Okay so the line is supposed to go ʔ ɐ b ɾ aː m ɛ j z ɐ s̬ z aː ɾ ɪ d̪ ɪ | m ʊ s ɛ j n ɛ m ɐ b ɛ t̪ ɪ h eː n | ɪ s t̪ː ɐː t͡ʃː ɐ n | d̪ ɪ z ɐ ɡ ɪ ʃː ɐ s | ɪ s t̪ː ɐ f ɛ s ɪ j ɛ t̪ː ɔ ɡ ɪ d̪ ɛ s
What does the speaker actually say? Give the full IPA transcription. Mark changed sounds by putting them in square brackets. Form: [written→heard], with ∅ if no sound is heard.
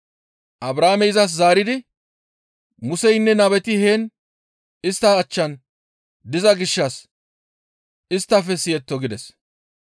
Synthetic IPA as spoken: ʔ ɐ b ɾ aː m ɛ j z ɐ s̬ z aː ɾ ɪ d̪ ɪ | m ʊ s ɛ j [n→nː] ɛ [m→n] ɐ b ɛ t̪ ɪ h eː n | ɪ s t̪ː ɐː t͡ʃː ɐ n | d̪ ɪ z ɐ ɡ ɪ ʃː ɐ s | ɪ s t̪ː ɐ f ɛ s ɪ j ɛ t̪ː ɔ ɡ ɪ d̪ ɛ s